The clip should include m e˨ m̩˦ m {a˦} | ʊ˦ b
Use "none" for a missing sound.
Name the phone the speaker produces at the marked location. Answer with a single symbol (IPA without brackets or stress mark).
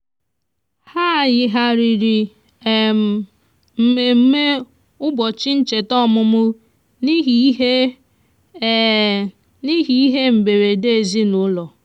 e˦